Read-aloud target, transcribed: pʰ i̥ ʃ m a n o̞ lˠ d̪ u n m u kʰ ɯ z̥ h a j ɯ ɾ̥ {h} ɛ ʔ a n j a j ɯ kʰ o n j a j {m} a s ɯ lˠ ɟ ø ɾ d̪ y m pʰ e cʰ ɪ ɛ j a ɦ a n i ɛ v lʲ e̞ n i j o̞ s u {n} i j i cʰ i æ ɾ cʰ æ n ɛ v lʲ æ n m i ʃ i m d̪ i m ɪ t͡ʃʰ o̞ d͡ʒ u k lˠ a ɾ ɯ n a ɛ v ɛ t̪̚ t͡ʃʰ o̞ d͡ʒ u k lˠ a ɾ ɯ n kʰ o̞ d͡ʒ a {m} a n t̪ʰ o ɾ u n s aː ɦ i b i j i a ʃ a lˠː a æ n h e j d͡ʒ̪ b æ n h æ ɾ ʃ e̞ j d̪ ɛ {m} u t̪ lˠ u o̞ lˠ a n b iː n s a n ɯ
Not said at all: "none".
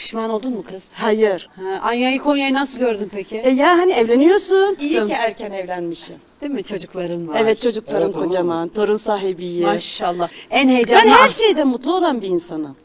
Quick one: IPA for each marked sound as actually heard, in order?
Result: h, n, n, m, m

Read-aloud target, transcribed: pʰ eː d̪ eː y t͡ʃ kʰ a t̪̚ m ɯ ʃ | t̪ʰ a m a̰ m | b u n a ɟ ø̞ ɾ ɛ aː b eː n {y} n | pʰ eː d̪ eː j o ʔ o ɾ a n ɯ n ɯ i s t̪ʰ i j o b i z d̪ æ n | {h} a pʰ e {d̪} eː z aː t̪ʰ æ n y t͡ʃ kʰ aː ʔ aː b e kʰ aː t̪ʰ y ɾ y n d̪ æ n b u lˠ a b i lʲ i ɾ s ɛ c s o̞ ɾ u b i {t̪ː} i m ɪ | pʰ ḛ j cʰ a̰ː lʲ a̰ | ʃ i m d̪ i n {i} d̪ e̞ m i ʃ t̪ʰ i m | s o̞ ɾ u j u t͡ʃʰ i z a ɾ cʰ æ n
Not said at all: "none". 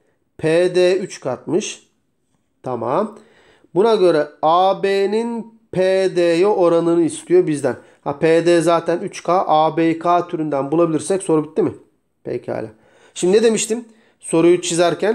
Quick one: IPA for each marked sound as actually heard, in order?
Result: i, h, d̪, t̪ː, e

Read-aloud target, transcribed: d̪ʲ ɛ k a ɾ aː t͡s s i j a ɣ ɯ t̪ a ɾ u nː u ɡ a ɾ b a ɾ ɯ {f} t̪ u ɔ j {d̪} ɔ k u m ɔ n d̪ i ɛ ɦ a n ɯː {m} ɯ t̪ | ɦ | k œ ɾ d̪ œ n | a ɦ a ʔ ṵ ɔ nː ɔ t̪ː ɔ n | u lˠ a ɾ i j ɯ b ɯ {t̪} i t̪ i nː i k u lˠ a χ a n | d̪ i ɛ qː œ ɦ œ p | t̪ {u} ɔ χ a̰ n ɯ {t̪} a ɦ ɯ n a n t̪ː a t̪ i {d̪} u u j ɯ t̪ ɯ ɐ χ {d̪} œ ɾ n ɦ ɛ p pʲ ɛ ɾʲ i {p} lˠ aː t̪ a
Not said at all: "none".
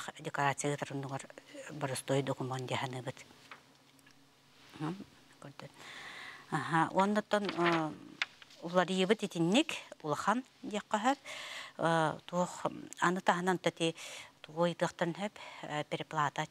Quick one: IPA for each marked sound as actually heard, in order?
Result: s, d̪, b, t̪, u, t̪, t̪, t̪, p

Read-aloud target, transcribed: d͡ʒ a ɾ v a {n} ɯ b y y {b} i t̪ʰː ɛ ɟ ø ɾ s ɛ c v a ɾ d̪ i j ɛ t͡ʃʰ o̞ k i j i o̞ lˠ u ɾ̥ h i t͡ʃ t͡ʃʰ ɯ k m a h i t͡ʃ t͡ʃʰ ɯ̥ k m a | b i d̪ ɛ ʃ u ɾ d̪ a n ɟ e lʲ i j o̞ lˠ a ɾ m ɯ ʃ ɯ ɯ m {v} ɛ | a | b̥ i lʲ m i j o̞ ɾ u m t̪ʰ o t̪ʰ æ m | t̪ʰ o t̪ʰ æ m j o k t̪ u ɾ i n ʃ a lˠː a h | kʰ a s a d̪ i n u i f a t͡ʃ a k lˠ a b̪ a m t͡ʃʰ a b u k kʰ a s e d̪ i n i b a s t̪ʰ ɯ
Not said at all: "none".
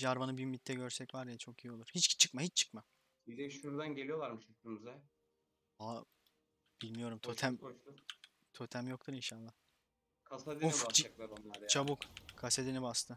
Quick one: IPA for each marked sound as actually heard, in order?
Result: n, m, z

